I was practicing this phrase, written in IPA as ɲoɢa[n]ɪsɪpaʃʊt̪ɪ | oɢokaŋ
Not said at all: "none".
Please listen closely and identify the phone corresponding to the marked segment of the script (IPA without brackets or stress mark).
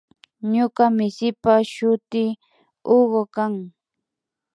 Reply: m